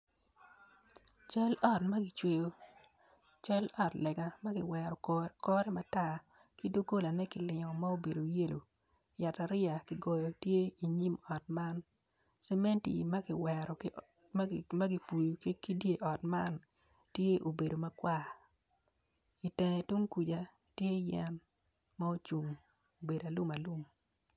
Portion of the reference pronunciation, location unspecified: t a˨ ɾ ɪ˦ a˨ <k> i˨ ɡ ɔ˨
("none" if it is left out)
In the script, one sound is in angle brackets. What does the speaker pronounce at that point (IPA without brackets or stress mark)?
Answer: k